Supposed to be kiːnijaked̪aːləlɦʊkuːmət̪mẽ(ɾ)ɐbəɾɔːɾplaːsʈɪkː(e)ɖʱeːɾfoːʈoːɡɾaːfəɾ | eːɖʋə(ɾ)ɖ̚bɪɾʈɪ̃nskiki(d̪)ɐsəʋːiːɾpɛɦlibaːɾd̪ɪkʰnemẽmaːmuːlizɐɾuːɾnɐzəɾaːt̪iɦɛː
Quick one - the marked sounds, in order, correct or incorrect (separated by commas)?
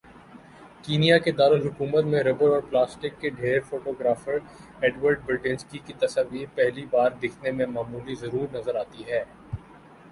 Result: correct, correct, correct, incorrect